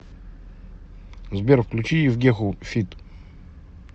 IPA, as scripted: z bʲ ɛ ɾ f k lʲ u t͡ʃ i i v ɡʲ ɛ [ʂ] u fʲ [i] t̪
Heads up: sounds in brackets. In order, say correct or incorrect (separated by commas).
incorrect, correct